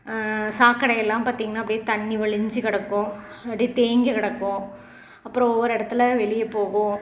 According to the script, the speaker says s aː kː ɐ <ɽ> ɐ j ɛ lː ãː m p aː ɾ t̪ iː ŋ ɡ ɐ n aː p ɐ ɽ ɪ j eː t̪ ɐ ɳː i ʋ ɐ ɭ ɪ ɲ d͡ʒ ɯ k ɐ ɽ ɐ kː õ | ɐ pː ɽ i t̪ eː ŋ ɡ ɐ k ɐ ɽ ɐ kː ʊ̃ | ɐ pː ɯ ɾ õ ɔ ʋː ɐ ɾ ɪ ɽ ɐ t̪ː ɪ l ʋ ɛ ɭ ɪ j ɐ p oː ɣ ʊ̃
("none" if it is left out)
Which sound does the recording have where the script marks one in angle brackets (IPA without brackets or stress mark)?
ɽ